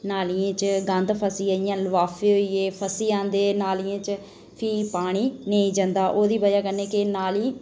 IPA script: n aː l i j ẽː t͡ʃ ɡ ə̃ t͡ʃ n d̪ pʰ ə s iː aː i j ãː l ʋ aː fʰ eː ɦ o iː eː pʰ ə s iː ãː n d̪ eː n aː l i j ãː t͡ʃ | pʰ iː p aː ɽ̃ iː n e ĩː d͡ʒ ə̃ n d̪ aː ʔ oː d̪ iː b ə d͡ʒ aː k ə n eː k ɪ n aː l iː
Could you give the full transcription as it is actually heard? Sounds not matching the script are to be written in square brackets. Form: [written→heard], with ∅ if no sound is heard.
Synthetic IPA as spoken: n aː l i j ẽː t͡ʃ ɡ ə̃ [t͡ʃ→∅] n d̪ pʰ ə s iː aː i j ãː l ʋ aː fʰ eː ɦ o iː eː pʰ ə s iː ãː n d̪ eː n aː l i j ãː t͡ʃ | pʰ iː p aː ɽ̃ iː n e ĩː d͡ʒ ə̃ n d̪ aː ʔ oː d̪ iː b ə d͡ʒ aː k ə n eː k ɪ n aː l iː